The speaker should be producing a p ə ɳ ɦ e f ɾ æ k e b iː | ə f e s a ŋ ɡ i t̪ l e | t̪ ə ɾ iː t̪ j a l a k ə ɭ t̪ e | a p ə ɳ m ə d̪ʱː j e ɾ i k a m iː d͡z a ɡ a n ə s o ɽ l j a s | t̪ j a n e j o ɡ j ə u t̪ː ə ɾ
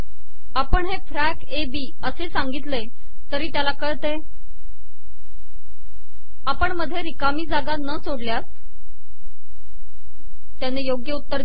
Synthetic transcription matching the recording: a p ə ɳ ɦ e f ɾ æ k e b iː | ə s e s a ŋ ɡ i t̪ l e | t̪ ə ɾ iː t̪ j a l a k ə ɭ t̪ e | a p ə ɳ m ə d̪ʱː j e ɾ i k a m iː d͡z a ɡ a n ə s o ɽ l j a s | t̪ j a n e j o ɡ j ə u t̪ː ə ɾ